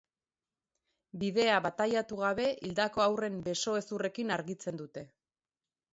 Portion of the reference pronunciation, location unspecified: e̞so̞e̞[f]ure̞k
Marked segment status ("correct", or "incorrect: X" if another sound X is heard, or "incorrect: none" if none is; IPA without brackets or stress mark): incorrect: s